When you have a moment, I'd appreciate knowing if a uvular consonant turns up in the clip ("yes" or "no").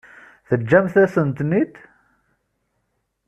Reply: no